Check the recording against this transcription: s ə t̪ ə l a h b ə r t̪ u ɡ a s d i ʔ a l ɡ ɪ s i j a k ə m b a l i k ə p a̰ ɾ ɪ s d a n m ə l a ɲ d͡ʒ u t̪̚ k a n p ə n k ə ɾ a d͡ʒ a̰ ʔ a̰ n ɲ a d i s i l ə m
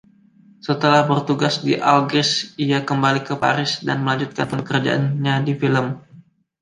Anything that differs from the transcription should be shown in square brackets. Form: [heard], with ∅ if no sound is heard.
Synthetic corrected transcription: s ə t̪ ə l a h b ə r t̪ u ɡ a s d i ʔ a l ɡ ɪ s i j a k ə m b a l i k ə p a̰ ɾ ɪ s d a n m ə l a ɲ d͡ʒ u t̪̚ k a n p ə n k ə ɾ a d͡ʒ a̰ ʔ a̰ n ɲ a d i [f] i l ə m